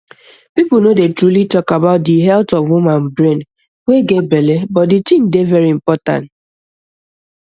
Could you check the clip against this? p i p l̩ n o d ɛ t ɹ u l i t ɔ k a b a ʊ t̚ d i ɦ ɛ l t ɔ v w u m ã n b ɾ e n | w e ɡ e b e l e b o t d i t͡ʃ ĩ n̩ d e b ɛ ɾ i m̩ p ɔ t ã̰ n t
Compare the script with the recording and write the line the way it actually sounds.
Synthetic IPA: p i p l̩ n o d e t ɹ u l i t ɔ k a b a ʊ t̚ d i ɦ ɛ l t ɔ v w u m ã n b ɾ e n | w e ɡ e b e l e b ɔ t d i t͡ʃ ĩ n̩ d e v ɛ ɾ i m̩ p ɔ t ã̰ n t